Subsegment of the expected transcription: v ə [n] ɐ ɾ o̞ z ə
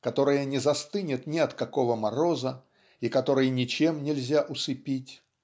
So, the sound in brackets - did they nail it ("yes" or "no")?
no